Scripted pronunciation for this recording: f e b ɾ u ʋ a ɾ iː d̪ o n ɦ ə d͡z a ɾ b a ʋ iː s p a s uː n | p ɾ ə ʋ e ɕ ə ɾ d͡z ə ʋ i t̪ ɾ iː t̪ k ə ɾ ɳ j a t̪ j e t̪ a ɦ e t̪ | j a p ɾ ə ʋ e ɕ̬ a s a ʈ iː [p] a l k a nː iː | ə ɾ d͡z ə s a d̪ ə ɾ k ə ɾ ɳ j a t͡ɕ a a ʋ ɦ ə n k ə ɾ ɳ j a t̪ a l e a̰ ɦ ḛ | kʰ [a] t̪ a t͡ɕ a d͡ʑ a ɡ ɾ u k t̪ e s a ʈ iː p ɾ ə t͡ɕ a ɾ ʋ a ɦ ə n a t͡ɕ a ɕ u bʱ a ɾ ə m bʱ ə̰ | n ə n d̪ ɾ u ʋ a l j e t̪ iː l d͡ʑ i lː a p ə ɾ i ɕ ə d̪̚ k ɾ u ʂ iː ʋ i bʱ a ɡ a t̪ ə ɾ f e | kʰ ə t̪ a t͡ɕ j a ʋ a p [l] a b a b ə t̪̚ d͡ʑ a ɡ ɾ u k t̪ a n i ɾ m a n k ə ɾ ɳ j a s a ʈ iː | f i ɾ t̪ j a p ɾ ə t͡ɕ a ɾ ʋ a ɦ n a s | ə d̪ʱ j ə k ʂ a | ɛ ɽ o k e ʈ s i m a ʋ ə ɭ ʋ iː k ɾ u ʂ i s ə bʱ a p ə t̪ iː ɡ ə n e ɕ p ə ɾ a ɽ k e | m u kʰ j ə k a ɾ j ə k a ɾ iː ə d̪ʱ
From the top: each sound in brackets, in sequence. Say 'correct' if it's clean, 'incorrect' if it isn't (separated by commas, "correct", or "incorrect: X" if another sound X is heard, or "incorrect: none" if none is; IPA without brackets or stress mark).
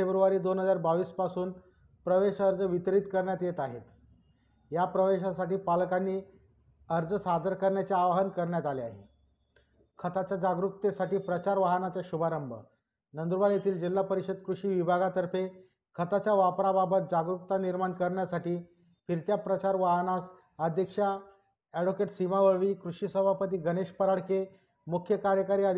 correct, incorrect: ə, incorrect: ɾ